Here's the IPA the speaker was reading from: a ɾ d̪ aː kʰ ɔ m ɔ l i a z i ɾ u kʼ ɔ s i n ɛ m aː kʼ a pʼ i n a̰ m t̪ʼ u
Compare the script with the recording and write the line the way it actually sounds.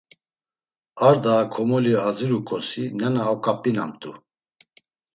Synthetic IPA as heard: a ɾ d̪ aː kʰ ɔ m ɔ l i a z i ɾ u kʼ ɔ s i n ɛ n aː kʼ a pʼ i n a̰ m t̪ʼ u